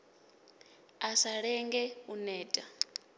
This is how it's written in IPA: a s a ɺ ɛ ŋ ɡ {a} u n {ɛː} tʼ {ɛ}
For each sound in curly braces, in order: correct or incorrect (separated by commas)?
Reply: incorrect, correct, incorrect